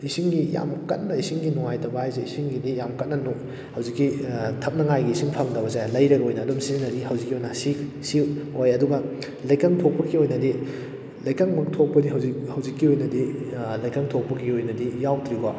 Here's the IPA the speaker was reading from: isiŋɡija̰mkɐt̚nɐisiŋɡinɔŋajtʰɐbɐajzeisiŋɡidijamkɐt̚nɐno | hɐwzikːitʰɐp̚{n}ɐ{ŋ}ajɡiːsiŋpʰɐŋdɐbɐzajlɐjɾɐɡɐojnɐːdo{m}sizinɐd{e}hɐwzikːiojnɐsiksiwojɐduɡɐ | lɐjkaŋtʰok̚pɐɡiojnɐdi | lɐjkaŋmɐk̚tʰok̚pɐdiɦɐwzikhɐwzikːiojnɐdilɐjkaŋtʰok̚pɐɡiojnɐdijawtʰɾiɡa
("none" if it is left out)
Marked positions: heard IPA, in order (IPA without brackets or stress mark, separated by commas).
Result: n, ŋ, m, i